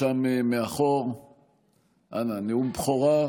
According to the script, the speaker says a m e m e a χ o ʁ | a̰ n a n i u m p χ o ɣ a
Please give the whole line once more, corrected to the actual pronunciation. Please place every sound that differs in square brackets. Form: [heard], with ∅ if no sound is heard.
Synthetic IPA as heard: a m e m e a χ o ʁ | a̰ n a n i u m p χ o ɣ a